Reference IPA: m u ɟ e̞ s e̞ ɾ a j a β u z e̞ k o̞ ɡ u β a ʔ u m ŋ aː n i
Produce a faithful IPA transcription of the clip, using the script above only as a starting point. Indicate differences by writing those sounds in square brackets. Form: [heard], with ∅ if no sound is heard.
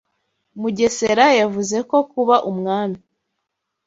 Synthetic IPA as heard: m u ɟ e̞ s e̞ ɾ a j a [v] u z e̞ k o̞ [k] u β a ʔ u m ŋ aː [m] i